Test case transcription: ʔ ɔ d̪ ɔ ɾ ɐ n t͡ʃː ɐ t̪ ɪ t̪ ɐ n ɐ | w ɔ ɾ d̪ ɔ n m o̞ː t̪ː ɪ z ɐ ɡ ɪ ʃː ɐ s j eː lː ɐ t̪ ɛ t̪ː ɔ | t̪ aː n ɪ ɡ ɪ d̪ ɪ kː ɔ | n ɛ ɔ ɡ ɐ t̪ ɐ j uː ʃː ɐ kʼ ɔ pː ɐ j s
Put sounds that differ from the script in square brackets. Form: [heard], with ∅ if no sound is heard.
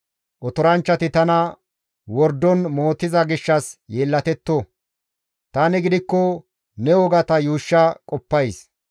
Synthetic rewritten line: ʔ ɔ [t̪] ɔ ɾ ɐ n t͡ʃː ɐ t̪ ɪ t̪ ɐ n ɐ | w ɔ ɾ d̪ ɔ n m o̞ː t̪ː ɪ z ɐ ɡ ɪ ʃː ɐ s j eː lː ɐ t̪ ɛ t̪ː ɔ | t̪ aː n ɪ ɡ ɪ d̪ ɪ kː ɔ | n ɛ ɔ ɡ ɐ t̪ ɐ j uː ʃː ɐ kʼ ɔ pː ɐ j s